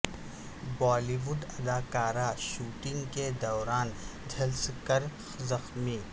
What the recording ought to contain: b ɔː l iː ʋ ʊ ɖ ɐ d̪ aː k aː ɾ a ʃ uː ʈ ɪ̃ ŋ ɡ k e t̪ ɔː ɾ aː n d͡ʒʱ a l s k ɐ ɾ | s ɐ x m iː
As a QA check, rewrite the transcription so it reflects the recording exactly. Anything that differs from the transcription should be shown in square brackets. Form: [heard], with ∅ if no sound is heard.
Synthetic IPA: b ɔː l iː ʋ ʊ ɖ ɐ d̪ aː k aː ɾ a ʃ uː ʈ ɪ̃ ŋ ɡ k e [d̪] ɔː ɾ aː n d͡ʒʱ [ɐ] l s k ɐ ɾ | [z] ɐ x m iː